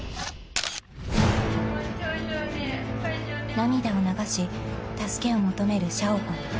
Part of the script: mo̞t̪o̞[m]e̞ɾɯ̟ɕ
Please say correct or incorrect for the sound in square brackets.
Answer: correct